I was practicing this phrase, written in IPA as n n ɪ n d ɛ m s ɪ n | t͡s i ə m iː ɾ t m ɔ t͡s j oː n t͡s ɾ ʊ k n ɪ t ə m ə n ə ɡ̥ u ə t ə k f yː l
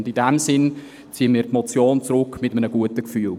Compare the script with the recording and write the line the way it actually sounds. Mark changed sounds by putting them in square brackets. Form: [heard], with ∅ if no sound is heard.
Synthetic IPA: n [d] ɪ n d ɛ m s ɪ n | t͡s i ə m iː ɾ t m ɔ t͡s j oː n t͡s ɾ ʊ k [m] ɪ t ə m ə n ə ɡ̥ u ə t ə k f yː l